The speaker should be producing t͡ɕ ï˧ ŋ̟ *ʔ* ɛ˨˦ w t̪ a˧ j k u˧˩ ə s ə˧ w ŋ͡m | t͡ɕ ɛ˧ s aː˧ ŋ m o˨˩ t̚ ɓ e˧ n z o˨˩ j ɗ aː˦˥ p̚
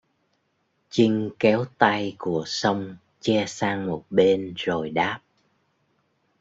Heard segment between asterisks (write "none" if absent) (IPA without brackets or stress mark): k